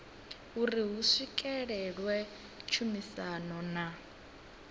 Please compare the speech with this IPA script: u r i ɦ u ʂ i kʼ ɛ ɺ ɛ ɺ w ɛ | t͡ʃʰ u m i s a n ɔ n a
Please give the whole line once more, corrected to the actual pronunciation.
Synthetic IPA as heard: u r i ɦ u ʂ i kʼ ɛ ɺ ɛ ɺ w ɛ | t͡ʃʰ u m i s a n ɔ n a